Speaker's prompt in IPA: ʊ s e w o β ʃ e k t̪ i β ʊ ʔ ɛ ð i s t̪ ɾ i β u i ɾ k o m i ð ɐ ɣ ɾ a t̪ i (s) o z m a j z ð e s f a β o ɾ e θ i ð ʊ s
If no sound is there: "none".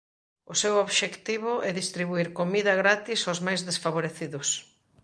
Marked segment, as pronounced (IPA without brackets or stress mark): s